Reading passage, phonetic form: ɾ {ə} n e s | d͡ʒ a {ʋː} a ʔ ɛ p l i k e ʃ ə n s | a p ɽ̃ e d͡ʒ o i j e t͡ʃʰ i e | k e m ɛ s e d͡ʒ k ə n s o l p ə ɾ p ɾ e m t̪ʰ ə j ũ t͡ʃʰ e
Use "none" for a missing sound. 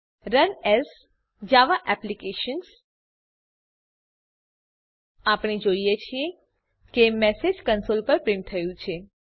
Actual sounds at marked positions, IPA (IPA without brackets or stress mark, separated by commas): ə, ʋ